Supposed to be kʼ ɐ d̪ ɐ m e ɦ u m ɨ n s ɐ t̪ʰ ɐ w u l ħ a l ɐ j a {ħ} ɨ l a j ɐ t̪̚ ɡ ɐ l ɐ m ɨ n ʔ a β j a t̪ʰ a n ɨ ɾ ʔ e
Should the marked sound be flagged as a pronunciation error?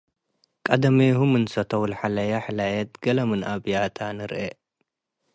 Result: no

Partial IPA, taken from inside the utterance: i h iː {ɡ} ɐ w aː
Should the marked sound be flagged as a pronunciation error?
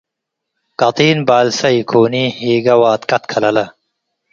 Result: no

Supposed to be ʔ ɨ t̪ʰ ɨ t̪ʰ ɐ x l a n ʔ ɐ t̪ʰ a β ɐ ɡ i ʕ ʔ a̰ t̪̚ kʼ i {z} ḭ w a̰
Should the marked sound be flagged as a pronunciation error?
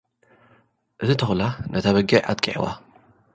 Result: yes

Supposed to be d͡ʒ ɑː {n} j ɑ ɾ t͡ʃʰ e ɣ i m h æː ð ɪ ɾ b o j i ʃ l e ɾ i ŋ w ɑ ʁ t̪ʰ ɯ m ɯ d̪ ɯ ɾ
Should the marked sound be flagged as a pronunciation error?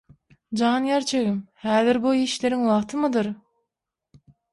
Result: no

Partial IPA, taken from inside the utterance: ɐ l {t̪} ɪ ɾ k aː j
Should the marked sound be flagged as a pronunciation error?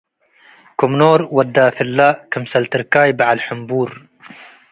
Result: no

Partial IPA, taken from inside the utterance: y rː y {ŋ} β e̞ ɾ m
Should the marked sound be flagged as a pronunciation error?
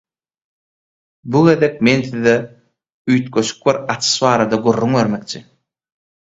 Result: no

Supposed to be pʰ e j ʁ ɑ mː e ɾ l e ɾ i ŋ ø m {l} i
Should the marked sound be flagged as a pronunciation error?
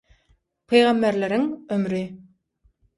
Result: yes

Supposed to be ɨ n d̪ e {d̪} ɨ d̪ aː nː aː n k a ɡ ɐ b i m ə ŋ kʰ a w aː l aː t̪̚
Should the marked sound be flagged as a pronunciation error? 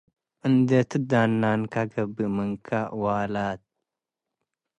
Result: yes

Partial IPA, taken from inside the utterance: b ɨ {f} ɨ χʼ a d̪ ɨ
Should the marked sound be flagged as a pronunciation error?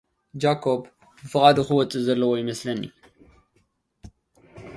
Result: no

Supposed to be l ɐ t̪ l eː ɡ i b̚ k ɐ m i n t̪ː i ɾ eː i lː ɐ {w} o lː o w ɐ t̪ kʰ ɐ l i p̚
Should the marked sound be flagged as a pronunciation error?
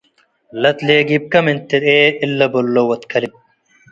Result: yes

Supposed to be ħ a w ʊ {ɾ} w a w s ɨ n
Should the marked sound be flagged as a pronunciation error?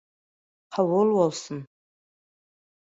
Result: yes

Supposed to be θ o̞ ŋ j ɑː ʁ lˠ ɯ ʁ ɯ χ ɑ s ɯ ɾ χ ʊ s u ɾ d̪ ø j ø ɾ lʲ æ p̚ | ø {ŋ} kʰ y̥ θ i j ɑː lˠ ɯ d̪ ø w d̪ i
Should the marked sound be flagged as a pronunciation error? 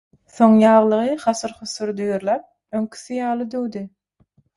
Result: no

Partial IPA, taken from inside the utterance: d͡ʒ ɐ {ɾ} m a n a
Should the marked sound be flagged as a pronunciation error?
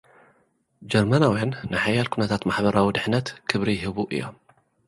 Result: no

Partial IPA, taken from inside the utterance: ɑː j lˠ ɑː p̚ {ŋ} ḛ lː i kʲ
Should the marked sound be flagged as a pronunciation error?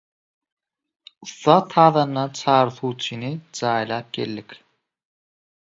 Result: yes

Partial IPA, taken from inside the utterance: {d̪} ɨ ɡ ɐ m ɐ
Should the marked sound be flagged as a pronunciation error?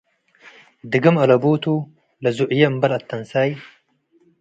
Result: no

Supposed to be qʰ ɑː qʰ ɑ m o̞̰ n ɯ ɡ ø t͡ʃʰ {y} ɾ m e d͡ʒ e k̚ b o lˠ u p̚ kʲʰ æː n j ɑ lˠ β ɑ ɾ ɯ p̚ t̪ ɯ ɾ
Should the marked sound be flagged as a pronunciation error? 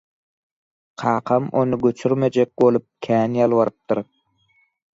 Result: no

